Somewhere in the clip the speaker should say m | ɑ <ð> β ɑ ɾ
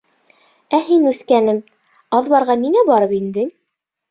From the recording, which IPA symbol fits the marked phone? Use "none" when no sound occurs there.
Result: ð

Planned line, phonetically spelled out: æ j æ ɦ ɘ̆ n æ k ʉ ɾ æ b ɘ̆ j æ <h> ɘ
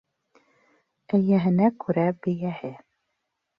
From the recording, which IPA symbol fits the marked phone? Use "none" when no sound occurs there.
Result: h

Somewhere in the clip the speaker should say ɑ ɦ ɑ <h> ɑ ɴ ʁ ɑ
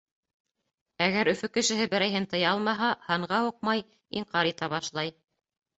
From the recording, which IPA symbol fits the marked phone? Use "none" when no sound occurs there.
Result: h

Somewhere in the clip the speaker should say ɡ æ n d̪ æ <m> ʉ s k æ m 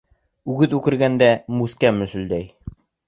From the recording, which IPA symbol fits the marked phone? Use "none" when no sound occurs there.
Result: m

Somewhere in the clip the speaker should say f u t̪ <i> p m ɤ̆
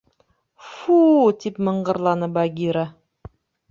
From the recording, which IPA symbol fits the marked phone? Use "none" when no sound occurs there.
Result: i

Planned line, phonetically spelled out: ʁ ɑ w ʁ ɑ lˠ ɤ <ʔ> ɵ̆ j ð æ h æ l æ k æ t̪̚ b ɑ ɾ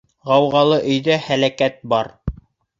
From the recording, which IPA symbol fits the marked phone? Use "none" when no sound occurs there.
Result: ʔ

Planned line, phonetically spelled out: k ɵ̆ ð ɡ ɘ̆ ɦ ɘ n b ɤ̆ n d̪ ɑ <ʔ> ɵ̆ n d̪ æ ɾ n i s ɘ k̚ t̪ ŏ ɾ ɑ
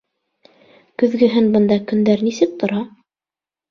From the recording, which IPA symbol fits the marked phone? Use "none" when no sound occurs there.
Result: k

